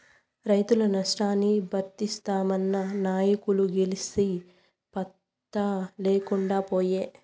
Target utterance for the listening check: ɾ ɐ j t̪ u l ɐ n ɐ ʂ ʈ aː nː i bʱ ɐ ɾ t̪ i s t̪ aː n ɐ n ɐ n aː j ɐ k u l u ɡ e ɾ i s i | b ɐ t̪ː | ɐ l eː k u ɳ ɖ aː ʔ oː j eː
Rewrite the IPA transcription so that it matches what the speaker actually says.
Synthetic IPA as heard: ɾ ɐ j t̪ u l ɐ n ɐ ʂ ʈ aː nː i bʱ ɐ ɾ t̪ i s t̪ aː m ɐ nː ɐ n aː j ɐ k u l u ɡ e l i s i | p ɐ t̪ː | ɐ l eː k u ɳ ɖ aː p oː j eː